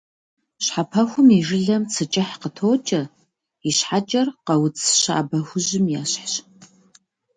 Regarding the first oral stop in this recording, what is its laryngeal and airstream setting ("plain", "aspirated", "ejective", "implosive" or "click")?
aspirated